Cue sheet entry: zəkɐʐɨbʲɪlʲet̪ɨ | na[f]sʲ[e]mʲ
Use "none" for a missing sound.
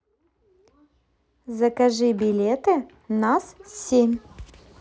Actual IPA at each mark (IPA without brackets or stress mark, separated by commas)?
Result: s, e